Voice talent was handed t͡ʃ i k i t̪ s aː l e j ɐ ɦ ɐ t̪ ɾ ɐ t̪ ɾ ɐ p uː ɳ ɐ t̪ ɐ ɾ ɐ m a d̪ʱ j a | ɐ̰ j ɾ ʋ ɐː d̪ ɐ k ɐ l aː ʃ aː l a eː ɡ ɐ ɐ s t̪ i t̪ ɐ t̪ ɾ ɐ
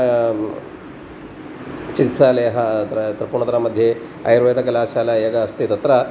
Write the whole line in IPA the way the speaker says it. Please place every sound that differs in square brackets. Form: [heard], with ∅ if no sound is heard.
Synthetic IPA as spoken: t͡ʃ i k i t̪ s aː l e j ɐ ɦ ɐ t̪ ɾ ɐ t̪ ɾ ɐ p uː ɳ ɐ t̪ ɐ ɾ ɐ m [ɐ] d̪ʱ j [e] | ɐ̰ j ɾ ʋ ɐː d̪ ɐ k ɐ l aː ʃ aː l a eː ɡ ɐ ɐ s t̪ i t̪ ɐ t̪ ɾ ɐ

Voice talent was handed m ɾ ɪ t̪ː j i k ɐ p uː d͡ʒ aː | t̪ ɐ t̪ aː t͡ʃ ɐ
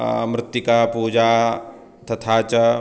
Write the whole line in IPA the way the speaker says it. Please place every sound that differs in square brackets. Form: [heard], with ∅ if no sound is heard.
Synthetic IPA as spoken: m ɾ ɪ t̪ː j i k [a] p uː d͡ʒ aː | t̪ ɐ [t̪ʰ] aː t͡ʃ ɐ

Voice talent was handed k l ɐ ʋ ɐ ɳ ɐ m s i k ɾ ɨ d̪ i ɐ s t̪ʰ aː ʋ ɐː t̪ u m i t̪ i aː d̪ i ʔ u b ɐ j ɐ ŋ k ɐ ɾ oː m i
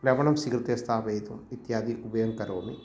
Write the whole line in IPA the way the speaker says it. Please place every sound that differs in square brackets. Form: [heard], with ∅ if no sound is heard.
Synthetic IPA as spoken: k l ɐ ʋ ɐ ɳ ɐ m s i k ɾ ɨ [t̪] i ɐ s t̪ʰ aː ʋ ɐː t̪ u m i t̪ [j] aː d̪ i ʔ u b ɐ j ɐ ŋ k ɐ ɾ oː m i

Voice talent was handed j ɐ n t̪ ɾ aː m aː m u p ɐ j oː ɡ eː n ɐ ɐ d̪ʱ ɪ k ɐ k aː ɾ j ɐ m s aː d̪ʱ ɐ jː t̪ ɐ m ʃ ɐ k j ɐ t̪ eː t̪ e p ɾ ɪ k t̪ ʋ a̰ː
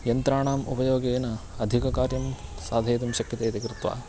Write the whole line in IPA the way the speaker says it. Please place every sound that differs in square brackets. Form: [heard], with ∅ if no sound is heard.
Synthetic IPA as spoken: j ɐ n t̪ ɾ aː [ɳ] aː m u p ɐ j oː ɡ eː n ɐ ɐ d̪ʱ [i] k ɐ k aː ɾ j ɐ m s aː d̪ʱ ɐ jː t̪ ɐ m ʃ ɐ k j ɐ t̪ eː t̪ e [k] ɾ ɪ [∅] t̪ ʋ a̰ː

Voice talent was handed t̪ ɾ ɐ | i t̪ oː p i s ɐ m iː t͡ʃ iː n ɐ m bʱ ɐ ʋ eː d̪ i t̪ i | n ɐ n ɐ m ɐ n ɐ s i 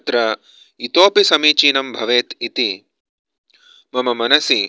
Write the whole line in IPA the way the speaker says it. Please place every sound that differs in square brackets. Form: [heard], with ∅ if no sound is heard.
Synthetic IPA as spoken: t̪ ɾ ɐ | i t̪ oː p i s ɐ m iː t͡ʃ iː n ɐ m bʱ ɐ ʋ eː [t̪] i t̪ i | [m] ɐ [m] ɐ m ɐ n ɐ s i

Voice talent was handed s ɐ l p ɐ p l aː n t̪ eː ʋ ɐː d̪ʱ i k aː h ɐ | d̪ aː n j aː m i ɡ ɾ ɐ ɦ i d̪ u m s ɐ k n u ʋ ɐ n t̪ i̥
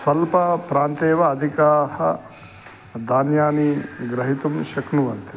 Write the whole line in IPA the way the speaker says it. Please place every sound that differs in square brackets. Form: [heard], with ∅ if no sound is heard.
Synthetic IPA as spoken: s ɐ l p ɐ p [ɾ] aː n t̪ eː ʋ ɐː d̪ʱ i k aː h ɐ | d̪ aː n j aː [n] i ɡ ɾ ɐ ɦ i [t̪] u m [ʃ] ɐ k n u ʋ ɐ n t̪ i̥

